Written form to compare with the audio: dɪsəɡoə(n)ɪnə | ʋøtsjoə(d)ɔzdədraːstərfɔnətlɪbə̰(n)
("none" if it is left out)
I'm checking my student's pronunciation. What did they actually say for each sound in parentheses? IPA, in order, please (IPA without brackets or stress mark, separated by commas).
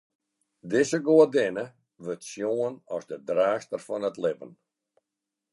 d, n, n